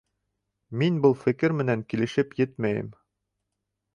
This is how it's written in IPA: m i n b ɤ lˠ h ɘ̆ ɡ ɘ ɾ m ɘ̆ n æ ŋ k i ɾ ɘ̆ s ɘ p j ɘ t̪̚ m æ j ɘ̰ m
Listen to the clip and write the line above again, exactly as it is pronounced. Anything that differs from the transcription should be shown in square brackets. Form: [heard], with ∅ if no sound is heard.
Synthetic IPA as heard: m i n b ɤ lˠ [f] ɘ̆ [k] ɘ ɾ m ɘ̆ n æ ŋ k i [l] ɘ̆ [ʃ] ɘ p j ɘ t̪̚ m æ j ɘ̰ m